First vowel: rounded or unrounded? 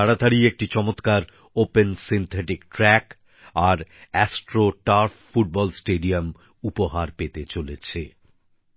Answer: unrounded